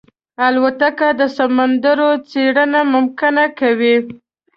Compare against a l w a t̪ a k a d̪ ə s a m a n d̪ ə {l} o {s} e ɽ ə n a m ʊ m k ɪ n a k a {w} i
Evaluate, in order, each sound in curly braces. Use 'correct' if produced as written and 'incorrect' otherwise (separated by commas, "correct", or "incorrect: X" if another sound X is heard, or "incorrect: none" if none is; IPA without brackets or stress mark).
incorrect: ɾ, incorrect: t͡s, correct